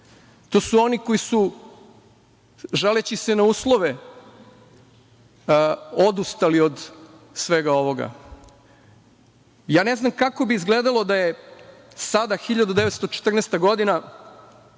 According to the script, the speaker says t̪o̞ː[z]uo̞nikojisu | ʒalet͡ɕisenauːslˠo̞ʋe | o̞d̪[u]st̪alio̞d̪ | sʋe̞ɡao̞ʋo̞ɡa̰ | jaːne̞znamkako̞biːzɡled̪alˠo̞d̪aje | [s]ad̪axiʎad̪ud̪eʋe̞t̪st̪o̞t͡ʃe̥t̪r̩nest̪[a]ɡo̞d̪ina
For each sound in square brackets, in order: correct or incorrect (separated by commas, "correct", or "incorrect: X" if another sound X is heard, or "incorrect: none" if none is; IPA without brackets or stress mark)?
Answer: incorrect: s, correct, correct, correct